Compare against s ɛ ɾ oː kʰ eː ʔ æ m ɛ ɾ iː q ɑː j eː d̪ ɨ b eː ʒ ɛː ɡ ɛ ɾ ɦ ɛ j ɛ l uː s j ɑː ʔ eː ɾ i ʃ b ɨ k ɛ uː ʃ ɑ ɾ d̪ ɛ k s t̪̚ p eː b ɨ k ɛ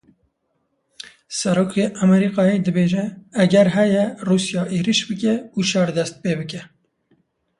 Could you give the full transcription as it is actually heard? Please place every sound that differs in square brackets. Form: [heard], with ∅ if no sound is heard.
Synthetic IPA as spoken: s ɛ ɾ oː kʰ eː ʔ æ m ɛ ɾ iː q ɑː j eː d̪ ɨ b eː ʒ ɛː ɡ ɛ ɾ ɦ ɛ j ɛ [r] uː s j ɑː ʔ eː ɾ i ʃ b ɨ k ɛ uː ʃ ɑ ɾ d̪ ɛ [∅] s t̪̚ p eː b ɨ k ɛ